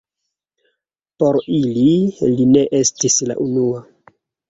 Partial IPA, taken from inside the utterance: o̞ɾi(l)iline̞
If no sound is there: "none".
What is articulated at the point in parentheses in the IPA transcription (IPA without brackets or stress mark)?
l